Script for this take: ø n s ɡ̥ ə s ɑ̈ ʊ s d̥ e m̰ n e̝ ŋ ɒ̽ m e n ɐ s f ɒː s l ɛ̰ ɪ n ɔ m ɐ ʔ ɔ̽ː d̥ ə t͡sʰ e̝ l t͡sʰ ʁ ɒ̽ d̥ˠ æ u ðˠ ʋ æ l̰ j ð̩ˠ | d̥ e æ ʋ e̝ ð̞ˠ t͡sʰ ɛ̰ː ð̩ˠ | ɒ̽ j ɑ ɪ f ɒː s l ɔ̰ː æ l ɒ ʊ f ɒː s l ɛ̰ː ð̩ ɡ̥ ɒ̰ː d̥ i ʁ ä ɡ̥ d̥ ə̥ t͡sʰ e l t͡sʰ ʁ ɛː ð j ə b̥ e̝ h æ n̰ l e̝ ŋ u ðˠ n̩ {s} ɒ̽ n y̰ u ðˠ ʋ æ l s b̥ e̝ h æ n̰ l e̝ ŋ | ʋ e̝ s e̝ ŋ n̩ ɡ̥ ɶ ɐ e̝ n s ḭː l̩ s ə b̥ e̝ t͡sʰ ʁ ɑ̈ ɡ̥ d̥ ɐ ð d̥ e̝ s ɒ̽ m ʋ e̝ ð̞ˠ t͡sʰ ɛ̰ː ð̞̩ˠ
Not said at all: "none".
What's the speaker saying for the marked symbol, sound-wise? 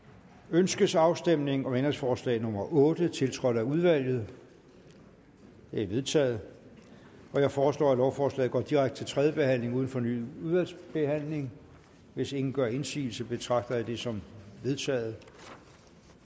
f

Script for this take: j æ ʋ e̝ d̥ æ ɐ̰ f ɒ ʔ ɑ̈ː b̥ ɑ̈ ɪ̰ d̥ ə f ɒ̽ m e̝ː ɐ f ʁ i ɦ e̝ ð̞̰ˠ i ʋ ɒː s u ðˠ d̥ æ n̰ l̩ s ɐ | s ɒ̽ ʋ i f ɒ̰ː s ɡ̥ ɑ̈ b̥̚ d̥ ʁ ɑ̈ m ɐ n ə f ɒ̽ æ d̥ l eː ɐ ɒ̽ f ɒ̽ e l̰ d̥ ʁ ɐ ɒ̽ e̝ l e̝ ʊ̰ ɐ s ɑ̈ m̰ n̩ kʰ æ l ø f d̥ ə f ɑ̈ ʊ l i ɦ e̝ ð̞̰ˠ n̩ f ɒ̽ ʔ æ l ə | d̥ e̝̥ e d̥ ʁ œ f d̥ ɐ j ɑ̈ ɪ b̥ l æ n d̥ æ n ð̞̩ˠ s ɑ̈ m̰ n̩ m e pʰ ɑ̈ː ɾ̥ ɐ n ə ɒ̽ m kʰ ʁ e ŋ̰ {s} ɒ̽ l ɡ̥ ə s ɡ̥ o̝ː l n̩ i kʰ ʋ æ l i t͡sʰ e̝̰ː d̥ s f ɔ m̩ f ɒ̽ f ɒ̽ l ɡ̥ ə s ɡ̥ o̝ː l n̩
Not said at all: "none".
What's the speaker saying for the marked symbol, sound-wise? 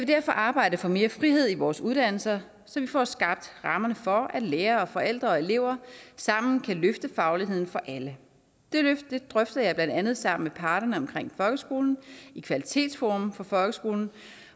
f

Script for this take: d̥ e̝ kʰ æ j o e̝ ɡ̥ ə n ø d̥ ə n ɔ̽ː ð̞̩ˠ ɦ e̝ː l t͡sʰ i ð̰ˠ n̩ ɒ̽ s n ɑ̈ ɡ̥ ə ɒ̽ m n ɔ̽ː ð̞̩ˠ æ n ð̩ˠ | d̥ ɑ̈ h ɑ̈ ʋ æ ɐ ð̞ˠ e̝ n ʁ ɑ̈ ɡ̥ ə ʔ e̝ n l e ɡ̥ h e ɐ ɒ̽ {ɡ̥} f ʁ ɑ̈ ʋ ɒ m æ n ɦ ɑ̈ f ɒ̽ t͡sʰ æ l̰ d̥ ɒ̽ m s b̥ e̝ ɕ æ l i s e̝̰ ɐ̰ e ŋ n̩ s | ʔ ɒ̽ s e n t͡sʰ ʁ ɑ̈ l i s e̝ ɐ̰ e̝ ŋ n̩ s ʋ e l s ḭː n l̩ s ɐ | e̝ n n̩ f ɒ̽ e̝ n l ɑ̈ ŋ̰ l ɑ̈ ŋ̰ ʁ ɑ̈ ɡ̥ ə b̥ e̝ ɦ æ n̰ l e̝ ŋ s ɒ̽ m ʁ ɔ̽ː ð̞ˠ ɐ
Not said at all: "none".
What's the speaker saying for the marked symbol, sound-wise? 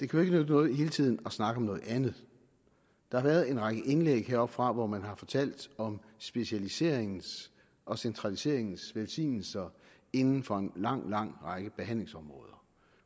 b̥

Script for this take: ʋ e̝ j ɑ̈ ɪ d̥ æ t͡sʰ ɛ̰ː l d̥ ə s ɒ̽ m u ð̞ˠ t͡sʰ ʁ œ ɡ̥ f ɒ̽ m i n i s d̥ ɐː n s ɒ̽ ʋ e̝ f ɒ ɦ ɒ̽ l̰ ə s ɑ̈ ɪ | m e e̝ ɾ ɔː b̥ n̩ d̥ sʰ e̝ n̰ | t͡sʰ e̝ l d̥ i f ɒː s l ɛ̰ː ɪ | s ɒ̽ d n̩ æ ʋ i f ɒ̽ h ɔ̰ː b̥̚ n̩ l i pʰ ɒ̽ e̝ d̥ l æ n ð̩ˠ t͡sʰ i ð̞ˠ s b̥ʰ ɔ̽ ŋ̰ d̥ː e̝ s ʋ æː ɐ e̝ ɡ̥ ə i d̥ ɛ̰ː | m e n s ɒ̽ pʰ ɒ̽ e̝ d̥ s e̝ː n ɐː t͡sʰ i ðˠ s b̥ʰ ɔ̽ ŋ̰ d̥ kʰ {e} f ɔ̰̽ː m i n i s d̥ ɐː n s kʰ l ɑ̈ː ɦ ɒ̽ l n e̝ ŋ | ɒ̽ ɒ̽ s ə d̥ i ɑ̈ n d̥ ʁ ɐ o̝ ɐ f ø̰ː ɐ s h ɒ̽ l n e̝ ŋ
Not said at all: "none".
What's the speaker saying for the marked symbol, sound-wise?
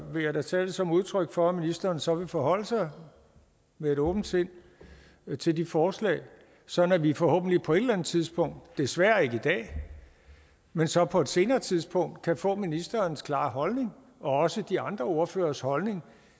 æ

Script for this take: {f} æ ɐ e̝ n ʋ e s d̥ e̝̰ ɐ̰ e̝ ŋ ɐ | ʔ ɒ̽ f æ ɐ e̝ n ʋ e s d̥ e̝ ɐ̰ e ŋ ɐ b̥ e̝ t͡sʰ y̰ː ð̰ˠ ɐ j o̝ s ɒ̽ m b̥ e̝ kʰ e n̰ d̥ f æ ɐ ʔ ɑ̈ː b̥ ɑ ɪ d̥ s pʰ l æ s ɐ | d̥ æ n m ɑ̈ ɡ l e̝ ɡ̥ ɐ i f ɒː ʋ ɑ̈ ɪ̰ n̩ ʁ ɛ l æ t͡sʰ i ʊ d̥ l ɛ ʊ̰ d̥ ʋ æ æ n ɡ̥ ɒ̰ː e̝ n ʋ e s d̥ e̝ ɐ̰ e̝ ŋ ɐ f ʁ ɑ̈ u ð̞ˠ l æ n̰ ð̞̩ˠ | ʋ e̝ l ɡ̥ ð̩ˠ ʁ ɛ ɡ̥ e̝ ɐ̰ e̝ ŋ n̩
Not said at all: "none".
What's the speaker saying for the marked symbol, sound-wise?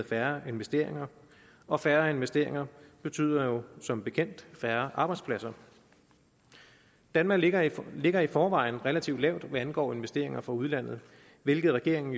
f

